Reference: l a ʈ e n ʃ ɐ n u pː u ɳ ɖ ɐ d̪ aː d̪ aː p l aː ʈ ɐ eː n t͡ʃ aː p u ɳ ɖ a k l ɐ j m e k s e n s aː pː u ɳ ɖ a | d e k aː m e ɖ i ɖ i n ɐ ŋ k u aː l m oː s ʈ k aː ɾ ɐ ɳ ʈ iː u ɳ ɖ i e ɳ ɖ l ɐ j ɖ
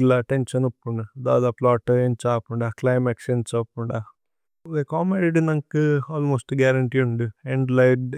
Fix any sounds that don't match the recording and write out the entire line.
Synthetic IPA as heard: l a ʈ e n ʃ ɐ n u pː u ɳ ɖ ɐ d̪ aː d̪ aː p l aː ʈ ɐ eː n t͡ʃ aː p u ɳ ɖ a k l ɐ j m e k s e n s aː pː u ɳ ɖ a | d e k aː m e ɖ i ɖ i n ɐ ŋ k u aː l m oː s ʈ ɡ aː ɾ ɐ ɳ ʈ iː u ɳ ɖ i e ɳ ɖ l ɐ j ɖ